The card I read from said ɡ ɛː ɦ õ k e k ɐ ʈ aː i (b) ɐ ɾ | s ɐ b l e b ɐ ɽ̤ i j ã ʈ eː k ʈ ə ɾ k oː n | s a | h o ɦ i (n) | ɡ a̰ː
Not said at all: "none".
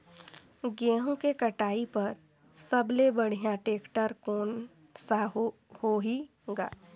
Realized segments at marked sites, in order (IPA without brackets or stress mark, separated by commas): p, none